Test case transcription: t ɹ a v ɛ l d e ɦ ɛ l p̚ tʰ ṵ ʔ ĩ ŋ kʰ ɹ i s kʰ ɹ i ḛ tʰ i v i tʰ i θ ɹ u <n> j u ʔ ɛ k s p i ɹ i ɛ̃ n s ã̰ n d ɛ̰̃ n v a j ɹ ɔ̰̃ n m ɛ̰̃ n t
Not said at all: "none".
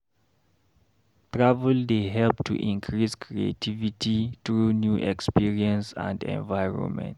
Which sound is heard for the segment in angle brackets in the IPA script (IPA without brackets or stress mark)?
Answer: n